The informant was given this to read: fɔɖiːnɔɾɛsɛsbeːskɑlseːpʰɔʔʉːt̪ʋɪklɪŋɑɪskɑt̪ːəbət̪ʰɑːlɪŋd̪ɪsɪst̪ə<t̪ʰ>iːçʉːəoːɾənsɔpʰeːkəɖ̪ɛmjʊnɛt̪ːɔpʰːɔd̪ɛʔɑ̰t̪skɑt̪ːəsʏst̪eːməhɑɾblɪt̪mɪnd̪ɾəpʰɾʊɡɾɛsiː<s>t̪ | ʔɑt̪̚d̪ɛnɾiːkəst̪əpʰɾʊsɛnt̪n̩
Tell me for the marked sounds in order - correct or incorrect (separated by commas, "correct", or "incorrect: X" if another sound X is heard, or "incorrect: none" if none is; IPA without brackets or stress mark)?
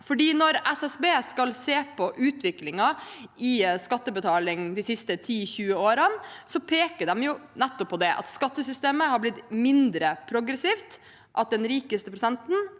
correct, incorrect: f